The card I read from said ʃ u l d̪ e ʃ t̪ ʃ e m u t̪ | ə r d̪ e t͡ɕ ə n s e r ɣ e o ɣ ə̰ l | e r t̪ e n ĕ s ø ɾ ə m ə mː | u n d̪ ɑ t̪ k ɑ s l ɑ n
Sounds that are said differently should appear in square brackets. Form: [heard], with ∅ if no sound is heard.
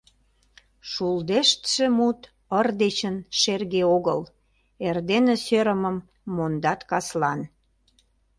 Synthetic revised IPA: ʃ u l d̪ e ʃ t̪ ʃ e m u t̪ | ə r d̪ e t͡ɕ ə n [ʃ] e r ɣ e o ɣ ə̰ l | e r [d̪] e n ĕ s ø ɾ ə m ə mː | [o] n d̪ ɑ t̪ k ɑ s l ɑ n